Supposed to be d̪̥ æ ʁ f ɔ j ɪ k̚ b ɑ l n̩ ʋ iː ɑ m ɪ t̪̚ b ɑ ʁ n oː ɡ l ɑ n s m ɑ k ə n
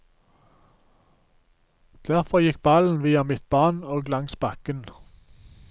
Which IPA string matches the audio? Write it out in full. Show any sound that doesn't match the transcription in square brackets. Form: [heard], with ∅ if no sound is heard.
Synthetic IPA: d̪̥ æ ʁ f ɔ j ɪ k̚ b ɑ l n̩ ʋ iː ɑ m ɪ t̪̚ b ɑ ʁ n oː ɡ l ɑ [ŋ] s [b] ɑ k ə n